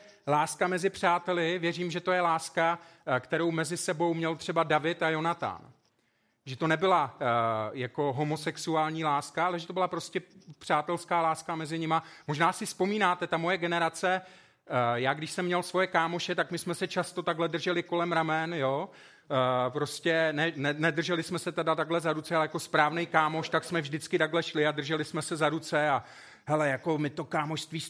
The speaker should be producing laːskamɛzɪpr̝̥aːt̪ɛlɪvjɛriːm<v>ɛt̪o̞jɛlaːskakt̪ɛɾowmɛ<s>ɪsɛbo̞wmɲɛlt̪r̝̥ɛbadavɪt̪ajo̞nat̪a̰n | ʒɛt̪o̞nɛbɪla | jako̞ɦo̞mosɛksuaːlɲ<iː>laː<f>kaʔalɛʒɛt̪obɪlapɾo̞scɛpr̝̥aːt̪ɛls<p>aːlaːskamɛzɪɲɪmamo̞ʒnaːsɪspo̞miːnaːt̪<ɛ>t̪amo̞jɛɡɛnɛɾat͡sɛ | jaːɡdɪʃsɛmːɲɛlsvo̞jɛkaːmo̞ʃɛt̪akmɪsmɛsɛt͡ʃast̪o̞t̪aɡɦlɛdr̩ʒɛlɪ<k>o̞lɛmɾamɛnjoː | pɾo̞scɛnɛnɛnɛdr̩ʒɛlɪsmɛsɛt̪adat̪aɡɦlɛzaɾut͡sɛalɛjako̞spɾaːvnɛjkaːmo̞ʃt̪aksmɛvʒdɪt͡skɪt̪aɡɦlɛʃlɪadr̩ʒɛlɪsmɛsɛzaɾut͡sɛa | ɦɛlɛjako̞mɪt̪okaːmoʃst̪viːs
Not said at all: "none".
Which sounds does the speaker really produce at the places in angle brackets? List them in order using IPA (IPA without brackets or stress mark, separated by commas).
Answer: ʒ, z, iː, s, k, ɛ, k